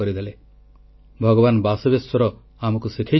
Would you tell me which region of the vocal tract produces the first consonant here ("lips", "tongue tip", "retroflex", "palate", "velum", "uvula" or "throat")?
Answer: tongue tip